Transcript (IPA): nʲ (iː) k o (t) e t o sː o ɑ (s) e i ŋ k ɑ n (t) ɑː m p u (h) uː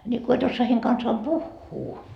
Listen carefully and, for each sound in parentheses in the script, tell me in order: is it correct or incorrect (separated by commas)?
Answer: incorrect, incorrect, incorrect, incorrect, incorrect